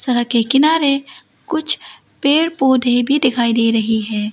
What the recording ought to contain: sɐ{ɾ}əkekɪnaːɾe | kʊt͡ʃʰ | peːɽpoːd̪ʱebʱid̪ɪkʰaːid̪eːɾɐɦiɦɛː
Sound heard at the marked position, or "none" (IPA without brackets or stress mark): ɾ